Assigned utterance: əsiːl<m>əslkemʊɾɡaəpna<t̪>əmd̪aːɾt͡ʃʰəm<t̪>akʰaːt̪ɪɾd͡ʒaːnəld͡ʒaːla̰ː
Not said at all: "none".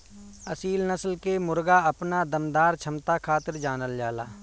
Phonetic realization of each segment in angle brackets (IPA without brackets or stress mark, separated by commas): n, d̪, t̪